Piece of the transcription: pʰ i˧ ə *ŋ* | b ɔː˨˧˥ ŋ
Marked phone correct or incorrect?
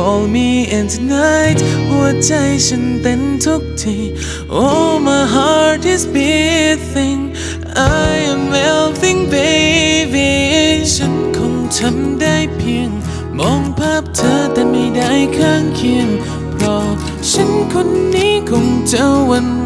correct